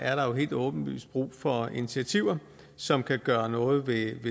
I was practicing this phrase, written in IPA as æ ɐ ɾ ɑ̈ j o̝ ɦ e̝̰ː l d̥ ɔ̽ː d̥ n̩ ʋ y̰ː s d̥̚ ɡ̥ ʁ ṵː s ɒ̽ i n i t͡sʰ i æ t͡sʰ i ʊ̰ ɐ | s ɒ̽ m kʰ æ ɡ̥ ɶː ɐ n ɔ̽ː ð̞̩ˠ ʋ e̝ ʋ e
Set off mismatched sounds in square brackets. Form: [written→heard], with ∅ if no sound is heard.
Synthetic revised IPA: æ ɐ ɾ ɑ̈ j o̝ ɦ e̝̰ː l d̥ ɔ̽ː [d̥→b̥] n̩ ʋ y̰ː s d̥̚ [ɡ̥→b̥] ʁ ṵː [s→f] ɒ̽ i n i t͡sʰ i æ t͡sʰ i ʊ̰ ɐ | s ɒ̽ m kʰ æ ɡ̥ ɶː ɐ n ɔ̽ː ð̞̩ˠ ʋ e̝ ʋ e